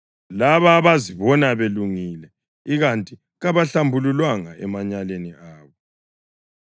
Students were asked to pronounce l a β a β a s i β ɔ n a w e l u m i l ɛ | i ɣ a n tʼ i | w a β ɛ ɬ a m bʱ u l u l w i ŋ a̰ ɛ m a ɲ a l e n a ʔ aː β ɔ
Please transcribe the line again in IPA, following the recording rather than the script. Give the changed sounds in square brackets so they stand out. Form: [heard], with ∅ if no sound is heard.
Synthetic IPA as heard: l a β a β a [z] i β ɔ n a [β] e l u [ŋ] i l ɛ | i ɣ a n tʼ i | [ɣ] a β [a] ɬ a m bʱ u l u l w [a] ŋ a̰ ɛ m a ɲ a l e n [i] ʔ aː β ɔ